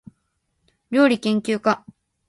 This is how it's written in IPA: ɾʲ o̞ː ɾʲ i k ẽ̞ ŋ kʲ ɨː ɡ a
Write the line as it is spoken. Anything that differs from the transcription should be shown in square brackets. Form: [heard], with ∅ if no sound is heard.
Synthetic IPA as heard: ɾʲ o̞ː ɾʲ i k ẽ̞ ŋ kʲ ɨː [k] a